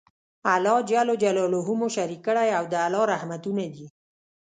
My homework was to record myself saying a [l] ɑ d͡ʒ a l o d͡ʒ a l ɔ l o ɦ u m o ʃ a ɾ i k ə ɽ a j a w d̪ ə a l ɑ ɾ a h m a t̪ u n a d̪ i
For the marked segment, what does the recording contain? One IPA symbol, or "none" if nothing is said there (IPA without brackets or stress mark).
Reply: l